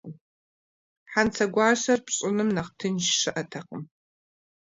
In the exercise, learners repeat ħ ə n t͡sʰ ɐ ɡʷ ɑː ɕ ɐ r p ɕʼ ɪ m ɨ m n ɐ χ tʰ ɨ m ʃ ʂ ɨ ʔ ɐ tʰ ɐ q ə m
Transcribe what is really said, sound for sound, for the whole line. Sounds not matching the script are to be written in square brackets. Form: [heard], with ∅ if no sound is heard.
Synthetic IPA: ħ [a] n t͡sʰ ɐ ɡʷ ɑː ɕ ɐ r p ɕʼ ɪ [n] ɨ m n ɐ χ tʰ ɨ [n] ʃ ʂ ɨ ʔ ɐ tʰ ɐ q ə m